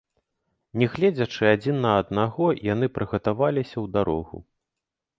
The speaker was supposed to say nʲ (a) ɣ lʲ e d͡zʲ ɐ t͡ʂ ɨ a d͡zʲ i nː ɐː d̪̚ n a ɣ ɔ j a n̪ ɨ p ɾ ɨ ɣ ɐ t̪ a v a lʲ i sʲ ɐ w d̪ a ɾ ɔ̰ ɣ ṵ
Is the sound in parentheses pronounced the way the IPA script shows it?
no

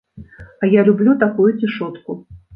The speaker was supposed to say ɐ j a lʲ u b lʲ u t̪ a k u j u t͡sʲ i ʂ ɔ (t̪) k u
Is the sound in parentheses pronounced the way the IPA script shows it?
yes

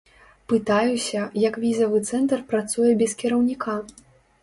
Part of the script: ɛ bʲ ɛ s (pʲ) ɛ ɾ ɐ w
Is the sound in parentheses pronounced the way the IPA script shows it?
no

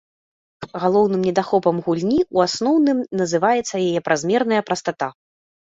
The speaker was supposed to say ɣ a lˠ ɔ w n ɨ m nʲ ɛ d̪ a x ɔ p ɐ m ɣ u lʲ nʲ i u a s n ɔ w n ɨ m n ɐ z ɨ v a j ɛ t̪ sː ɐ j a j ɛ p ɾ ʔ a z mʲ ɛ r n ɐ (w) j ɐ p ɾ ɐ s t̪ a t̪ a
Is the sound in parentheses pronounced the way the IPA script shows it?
no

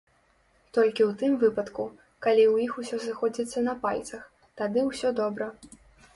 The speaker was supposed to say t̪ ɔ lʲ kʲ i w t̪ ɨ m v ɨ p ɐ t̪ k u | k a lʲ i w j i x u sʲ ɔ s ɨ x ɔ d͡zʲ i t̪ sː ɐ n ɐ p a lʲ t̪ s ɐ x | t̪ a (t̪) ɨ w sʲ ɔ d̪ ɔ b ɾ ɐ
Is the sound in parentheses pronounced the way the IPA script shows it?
no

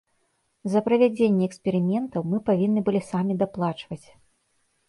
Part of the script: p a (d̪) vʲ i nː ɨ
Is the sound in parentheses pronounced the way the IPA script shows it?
no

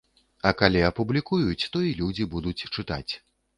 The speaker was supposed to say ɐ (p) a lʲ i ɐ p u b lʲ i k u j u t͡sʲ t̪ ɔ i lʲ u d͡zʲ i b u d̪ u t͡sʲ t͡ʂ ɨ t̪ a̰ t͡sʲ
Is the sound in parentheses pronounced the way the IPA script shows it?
no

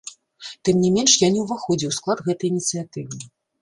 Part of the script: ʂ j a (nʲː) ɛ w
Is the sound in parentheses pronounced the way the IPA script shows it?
no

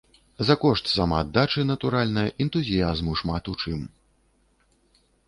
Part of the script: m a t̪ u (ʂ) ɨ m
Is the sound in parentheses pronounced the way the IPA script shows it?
no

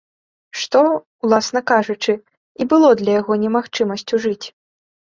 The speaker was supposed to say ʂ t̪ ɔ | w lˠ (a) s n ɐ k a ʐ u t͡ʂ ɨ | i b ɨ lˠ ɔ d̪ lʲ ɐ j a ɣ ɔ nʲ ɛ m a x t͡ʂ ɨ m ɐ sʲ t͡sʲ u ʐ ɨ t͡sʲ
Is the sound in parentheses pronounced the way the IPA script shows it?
yes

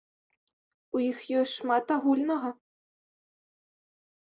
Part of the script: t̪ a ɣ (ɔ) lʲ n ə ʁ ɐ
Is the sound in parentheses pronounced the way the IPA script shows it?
no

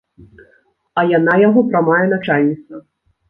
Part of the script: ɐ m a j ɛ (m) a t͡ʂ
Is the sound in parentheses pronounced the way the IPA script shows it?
no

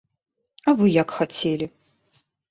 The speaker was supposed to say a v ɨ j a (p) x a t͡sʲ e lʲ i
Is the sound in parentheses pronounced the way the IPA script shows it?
no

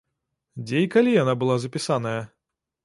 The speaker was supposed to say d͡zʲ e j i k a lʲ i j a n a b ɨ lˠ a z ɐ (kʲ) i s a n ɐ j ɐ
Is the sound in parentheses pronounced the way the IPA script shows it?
no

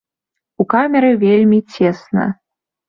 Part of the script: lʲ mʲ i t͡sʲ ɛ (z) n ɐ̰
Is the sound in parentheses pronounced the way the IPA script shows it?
no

